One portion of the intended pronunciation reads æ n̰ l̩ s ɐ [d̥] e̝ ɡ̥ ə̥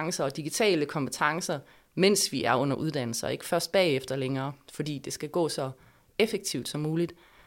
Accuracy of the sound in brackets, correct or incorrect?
incorrect